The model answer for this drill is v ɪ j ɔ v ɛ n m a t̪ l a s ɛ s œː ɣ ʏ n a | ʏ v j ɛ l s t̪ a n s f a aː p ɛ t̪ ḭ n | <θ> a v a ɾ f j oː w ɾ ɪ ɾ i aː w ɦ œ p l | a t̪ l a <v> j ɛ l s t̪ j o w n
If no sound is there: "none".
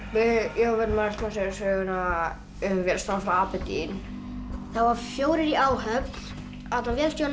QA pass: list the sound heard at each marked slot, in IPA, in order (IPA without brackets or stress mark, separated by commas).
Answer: θ, v